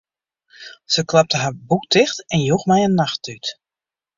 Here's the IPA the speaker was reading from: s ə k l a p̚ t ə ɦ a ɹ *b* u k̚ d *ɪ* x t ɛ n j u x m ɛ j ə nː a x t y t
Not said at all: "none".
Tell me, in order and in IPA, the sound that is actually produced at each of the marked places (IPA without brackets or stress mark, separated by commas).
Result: b, ɪ